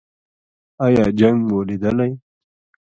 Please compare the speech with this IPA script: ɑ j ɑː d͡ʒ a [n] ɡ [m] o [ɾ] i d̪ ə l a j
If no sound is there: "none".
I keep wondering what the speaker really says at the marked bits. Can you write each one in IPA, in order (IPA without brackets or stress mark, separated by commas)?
ŋ, m, l